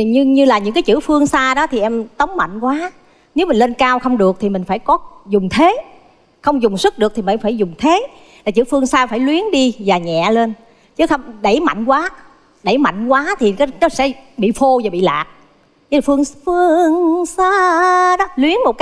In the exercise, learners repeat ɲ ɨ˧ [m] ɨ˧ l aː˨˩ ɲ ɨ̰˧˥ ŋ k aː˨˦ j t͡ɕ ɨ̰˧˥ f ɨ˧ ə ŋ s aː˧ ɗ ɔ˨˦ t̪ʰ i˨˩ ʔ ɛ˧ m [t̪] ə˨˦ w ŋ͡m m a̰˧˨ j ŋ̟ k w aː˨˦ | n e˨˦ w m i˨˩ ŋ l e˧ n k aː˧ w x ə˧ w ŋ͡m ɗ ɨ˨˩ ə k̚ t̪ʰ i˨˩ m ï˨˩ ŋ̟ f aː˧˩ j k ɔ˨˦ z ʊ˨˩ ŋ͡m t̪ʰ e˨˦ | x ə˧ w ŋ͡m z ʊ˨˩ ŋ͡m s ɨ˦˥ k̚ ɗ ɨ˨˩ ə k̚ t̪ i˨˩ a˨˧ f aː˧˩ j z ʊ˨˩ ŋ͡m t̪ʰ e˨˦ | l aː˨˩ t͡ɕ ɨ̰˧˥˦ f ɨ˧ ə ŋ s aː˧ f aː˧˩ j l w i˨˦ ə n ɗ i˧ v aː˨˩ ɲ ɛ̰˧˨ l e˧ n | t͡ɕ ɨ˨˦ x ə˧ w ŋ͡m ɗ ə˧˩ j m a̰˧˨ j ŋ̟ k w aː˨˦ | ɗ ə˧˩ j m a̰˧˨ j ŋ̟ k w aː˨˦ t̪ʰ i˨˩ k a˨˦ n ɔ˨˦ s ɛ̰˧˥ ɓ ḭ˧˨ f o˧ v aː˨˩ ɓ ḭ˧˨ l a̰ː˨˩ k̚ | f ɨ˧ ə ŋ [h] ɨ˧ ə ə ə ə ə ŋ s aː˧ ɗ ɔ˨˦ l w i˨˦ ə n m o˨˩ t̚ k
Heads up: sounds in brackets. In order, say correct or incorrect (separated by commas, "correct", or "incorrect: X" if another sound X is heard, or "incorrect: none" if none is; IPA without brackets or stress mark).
incorrect: ɲ, correct, incorrect: f